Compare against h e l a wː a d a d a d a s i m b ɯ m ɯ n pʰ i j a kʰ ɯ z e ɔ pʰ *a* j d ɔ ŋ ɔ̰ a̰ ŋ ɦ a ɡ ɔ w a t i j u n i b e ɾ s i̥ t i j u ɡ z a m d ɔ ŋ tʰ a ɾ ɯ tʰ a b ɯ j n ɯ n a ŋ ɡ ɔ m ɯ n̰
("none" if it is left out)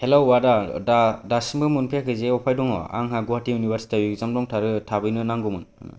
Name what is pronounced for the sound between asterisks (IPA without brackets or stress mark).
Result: a